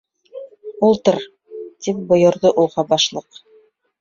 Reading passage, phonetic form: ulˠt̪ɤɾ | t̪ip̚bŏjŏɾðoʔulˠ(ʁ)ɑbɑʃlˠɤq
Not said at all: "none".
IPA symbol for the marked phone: ʁ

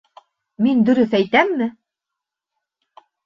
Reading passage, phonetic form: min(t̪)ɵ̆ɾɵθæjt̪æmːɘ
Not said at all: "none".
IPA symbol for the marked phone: d̪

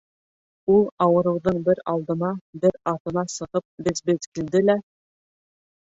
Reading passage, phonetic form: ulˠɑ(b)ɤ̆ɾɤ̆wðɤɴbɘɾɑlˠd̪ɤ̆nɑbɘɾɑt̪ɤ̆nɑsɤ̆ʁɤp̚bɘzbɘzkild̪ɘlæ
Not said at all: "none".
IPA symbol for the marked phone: w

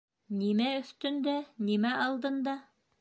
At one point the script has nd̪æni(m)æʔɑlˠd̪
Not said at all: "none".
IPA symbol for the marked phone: m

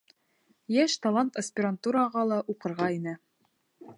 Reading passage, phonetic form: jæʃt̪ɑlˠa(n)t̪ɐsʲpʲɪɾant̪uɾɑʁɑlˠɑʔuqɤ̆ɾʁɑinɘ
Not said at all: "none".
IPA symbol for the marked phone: n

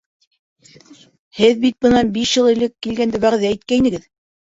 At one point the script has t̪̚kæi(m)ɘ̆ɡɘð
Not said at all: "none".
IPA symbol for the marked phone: n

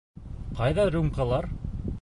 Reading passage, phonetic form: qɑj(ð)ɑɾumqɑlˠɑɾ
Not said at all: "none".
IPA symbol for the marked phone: ð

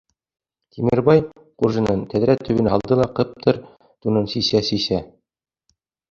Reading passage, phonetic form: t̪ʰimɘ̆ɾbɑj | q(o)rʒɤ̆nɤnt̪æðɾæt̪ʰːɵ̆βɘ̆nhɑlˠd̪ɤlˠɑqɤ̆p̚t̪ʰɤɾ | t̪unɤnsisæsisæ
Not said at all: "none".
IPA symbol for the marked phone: u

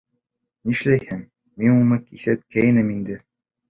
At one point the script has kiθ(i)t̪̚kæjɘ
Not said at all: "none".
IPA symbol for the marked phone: æ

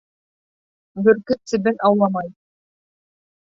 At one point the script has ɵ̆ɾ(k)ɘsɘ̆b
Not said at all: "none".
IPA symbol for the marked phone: k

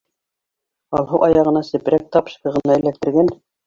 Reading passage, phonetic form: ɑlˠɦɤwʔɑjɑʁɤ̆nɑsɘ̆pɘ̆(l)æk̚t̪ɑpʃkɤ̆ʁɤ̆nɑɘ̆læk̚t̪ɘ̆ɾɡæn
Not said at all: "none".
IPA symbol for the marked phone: ɾ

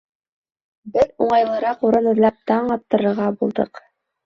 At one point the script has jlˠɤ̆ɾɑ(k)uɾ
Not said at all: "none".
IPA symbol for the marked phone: q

